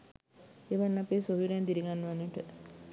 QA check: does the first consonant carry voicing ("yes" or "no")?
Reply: yes